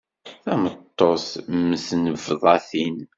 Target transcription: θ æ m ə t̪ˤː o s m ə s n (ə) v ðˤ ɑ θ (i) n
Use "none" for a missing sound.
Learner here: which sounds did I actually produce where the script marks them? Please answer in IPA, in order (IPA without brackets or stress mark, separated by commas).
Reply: ə, i